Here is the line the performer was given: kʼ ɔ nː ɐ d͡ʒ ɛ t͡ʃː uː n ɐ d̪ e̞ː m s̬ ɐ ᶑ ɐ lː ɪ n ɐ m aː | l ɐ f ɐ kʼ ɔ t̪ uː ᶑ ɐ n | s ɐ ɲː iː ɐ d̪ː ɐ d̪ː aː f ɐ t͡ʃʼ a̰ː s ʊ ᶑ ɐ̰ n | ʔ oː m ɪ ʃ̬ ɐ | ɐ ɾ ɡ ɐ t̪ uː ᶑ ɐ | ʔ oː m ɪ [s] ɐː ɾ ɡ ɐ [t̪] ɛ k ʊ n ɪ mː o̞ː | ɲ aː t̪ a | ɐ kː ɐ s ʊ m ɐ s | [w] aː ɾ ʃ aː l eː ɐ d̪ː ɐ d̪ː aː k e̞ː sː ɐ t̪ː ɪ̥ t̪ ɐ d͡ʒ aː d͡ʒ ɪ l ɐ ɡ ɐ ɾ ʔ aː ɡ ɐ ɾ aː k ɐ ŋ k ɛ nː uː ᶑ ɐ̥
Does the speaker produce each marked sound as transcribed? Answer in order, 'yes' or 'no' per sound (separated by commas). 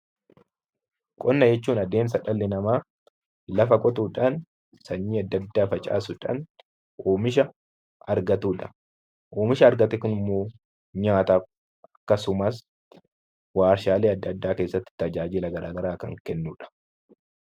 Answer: no, yes, yes